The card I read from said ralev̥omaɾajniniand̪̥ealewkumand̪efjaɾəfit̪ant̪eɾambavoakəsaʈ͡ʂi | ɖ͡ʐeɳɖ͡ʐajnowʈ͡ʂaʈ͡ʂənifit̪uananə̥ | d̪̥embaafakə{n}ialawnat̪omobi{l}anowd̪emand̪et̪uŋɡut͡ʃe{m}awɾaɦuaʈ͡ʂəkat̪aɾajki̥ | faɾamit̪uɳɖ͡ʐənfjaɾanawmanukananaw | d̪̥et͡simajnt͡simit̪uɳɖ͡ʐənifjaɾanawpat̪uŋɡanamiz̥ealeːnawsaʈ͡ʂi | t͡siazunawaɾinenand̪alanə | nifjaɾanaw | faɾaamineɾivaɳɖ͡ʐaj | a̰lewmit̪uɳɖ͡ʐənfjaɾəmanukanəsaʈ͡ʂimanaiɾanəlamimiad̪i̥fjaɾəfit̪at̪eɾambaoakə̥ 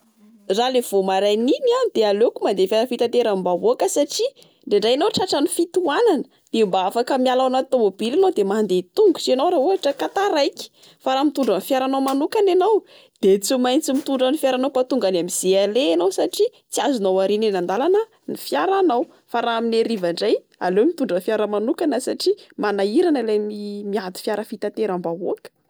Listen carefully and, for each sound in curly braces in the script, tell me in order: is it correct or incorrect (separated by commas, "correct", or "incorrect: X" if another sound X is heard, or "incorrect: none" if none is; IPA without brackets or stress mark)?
incorrect: m, correct, incorrect: n